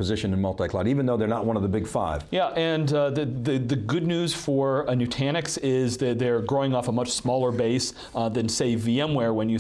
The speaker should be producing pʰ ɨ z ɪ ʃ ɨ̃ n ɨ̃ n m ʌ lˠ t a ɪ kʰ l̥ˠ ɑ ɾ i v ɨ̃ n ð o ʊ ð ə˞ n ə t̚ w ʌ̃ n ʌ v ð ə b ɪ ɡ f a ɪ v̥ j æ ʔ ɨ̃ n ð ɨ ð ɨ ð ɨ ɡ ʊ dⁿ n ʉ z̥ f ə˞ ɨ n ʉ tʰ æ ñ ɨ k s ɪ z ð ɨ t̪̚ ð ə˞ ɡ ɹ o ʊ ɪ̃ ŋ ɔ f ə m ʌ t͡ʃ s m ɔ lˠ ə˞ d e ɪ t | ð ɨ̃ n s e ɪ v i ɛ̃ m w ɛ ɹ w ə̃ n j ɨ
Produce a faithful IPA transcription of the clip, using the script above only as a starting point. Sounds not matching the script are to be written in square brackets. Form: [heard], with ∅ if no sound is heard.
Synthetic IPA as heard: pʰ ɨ z ɪ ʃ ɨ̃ n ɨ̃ n m ʌ lˠ t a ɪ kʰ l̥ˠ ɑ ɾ i v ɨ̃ n ð o ʊ ð ə˞ n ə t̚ w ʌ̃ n ʌ v ð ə b ɪ ɡ f a ɪ v̥ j æ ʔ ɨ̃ n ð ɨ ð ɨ ð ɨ ɡ ʊ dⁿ n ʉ z̥ f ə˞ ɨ n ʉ tʰ æ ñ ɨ k s ɪ z ð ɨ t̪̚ ð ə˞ ɡ ɹ o ʊ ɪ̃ ŋ ɔ f ə m ʌ t͡ʃ s m ɔ lˠ ə˞ [b] e ɪ [s] | ð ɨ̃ n s e ɪ v i ɛ̃ m w ɛ ɹ w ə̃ n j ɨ